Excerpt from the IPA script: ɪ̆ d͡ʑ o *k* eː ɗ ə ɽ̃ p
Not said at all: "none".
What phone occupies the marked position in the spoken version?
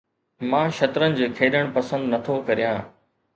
kʰ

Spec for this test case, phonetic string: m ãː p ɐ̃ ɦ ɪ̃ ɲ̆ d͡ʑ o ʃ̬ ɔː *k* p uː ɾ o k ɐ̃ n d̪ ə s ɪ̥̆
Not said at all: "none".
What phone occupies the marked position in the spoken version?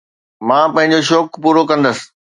k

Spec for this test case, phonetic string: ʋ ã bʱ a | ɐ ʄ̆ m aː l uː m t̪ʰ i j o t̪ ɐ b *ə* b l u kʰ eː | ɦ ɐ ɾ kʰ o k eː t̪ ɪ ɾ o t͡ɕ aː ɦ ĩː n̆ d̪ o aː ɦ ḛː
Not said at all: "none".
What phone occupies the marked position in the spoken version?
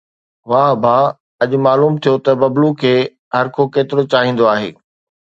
ɐ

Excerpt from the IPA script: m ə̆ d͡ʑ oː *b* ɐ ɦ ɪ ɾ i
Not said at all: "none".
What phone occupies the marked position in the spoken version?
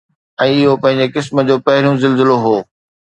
p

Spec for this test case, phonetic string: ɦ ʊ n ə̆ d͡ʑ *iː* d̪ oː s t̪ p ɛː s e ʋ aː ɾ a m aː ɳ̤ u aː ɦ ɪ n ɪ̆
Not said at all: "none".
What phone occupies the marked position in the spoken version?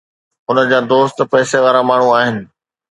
aː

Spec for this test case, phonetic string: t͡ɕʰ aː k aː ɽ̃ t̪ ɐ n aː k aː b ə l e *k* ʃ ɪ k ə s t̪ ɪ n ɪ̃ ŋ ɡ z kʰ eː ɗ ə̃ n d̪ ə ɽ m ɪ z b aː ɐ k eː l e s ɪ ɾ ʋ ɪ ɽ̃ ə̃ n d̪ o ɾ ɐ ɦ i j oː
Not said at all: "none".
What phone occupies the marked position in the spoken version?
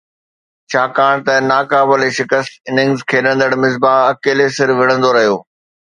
none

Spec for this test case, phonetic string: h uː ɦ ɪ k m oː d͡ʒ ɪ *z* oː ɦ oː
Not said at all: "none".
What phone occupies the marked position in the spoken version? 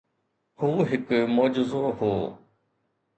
z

